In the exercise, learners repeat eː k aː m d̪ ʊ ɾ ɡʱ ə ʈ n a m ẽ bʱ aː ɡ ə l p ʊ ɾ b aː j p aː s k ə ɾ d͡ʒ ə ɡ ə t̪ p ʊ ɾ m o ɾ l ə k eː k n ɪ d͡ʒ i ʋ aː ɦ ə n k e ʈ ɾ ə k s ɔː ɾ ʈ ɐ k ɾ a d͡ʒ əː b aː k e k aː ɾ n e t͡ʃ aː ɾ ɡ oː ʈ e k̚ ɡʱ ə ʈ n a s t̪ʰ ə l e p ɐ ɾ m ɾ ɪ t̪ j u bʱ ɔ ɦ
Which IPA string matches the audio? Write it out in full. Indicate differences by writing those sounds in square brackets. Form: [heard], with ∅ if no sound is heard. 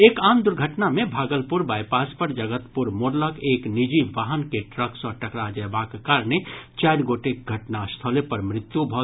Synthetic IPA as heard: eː k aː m d̪ ʊ ɾ ɡʱ ə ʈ n a m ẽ bʱ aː ɡ ə l p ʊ ɾ b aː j p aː s [p] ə ɾ d͡ʒ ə ɡ ə t̪ p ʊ ɾ m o ɾ l ə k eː k n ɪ d͡ʒ i ʋ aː ɦ ə n k e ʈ ɾ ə k s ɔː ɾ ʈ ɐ k ɾ a d͡ʒ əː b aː k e k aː ɾ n e t͡ʃ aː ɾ ɡ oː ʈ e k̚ ɡʱ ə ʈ n a s t̪ʰ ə l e p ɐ ɾ m ɾ ɪ t̪ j u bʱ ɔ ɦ